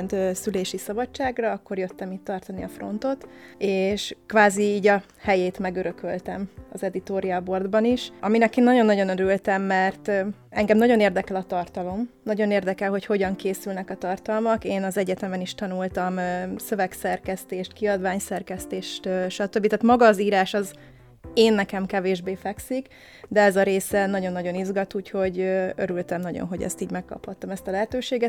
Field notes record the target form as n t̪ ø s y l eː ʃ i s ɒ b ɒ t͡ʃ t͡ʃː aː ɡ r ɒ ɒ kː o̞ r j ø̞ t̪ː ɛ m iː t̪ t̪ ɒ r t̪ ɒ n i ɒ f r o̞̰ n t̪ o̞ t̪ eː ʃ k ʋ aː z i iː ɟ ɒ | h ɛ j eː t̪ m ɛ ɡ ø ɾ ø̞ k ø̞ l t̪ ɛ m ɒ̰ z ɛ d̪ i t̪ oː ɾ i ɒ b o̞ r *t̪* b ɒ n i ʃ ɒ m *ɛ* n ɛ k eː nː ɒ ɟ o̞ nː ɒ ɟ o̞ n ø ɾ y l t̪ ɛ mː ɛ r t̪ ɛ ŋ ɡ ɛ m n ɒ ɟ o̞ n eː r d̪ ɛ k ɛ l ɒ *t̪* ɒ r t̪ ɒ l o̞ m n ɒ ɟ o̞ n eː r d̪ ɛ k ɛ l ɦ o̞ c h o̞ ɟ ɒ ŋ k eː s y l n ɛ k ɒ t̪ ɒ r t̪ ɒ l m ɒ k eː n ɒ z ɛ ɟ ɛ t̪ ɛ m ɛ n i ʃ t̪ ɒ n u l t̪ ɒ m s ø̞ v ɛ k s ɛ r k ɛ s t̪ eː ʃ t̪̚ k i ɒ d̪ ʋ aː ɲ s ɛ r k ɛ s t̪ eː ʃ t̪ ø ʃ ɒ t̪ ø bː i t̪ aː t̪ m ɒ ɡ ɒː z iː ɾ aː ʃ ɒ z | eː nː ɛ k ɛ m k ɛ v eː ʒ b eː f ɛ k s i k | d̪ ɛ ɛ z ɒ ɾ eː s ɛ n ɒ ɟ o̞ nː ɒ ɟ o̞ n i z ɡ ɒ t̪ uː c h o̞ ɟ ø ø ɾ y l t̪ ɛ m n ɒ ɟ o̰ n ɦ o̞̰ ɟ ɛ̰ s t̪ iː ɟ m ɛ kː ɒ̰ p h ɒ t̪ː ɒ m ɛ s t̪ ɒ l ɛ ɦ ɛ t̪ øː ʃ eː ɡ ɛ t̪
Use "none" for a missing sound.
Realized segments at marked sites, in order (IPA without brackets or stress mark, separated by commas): d̪, i, t̪